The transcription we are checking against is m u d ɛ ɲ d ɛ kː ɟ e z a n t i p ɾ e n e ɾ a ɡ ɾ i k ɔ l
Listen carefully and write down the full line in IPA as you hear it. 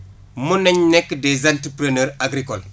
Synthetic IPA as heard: m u n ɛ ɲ n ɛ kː d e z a n t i p ɾ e n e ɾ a ɡ ɾ i k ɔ l